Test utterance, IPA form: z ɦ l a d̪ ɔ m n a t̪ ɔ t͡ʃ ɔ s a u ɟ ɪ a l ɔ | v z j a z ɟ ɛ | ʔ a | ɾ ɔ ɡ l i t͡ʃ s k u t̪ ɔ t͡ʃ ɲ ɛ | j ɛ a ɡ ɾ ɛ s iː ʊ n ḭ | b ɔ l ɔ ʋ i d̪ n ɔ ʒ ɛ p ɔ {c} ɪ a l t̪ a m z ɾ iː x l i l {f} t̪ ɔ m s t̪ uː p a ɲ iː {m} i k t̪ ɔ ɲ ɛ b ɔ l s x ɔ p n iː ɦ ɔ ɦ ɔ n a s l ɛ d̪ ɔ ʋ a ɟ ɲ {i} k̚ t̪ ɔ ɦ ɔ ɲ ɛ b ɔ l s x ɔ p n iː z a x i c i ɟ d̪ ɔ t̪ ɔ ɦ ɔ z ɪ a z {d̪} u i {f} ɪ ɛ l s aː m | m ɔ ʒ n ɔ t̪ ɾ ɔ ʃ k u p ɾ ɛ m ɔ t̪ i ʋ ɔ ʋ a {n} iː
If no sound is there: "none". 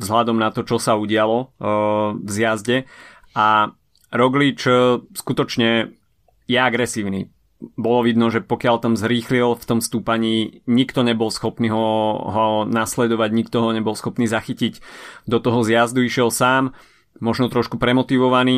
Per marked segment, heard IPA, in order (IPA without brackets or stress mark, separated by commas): k, f, ɲ, i, d̪, ʃ, n